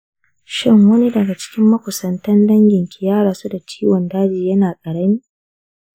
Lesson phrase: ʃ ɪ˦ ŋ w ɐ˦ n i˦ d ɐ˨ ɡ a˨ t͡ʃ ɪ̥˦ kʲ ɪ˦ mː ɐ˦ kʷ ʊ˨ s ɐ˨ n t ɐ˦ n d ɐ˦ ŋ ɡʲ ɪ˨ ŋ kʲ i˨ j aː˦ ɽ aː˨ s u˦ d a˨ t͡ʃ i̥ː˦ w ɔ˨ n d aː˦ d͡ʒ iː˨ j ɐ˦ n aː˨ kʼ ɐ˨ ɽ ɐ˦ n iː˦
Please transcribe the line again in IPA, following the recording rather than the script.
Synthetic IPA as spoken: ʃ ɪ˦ ŋ w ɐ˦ n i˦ d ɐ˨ ɡ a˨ t͡ʃ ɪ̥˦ kʲ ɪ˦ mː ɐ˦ kʷ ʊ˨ s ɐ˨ n t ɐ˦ n d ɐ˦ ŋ ɡʲ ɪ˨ ŋ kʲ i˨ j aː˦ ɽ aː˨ s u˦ d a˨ t͡ʃ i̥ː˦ w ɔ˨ n d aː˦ d͡ʒ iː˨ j ɐ˦ n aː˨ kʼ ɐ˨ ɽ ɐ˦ n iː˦

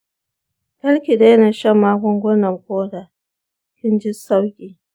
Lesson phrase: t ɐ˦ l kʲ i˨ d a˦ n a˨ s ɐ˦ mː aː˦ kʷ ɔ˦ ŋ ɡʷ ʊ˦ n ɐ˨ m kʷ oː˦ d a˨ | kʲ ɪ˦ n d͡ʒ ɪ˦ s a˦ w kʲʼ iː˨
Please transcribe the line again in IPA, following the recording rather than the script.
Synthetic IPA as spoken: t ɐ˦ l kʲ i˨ d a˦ n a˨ ʃ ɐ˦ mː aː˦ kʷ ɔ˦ ŋ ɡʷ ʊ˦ n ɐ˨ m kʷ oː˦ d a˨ | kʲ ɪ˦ n d͡ʒ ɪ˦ s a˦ w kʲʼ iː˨

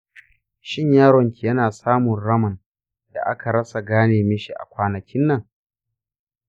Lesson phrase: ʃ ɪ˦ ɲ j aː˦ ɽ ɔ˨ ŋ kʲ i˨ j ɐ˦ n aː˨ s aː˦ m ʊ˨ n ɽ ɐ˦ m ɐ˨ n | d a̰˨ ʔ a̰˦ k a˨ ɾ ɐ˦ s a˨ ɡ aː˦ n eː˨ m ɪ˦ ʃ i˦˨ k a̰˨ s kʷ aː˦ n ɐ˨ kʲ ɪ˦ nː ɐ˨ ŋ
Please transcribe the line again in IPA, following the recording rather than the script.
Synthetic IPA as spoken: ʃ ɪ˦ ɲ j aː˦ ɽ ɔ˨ ŋ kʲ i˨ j ɐ˦ n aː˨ s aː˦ m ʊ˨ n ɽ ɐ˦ m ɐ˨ n | d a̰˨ ʔ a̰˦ k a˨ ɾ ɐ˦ s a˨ ɡ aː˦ n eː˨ m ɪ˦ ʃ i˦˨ ʔ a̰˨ kʷ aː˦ n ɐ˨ kʲ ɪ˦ nː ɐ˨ ŋ

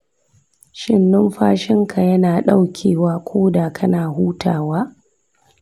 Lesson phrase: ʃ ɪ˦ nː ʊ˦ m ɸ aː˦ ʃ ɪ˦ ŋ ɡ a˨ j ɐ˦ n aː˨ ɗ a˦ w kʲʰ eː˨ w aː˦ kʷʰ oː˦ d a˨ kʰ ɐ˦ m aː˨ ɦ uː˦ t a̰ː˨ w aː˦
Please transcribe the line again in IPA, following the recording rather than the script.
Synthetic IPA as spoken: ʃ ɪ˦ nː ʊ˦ m ɸ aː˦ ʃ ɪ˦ ŋ k a˨ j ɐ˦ n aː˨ ɗ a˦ w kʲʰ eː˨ w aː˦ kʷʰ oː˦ d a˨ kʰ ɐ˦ n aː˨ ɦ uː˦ t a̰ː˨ w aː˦

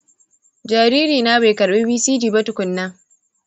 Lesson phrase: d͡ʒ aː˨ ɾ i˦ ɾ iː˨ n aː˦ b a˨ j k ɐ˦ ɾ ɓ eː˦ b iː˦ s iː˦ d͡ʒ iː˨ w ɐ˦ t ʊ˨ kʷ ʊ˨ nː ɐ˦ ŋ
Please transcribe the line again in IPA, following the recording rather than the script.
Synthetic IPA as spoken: d͡ʒ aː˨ ɾ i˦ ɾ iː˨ n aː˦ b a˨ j k ɐ˨ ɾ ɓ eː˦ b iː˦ s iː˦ d͡ʒ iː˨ b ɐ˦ t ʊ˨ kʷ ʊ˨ nː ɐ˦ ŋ

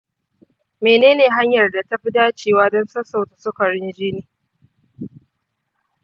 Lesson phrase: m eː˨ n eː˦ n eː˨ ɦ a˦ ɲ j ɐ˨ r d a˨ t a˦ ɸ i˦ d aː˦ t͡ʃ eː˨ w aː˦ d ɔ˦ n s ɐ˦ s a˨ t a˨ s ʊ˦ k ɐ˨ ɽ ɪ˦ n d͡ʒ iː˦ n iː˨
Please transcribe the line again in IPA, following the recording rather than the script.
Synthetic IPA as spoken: m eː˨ n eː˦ n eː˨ ɦ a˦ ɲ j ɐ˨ r d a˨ t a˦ ɸ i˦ d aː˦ t͡ʃ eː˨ w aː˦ d ɔ˦ n s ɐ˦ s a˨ t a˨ s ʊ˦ k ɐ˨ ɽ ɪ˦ n d͡ʒ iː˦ n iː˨

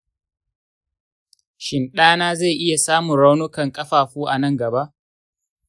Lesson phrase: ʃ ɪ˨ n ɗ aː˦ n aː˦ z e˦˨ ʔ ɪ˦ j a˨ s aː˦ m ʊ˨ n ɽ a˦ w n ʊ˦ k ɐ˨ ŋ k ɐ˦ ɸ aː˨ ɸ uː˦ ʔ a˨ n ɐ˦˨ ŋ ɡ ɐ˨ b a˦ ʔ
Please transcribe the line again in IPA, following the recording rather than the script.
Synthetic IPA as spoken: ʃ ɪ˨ n ɗ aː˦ n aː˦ z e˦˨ ʔ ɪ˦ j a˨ s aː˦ m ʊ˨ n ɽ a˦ w n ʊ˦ k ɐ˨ ŋ kʼ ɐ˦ ɸ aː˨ ɸ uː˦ ʔ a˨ n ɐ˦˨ ŋ ɡ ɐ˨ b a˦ ʔ

